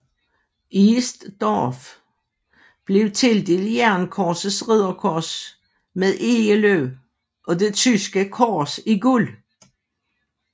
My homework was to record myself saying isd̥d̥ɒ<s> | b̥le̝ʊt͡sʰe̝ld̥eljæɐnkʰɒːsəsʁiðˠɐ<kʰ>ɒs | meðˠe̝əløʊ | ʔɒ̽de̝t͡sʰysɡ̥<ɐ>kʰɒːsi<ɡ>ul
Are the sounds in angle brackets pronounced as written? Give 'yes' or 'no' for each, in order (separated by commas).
no, yes, no, yes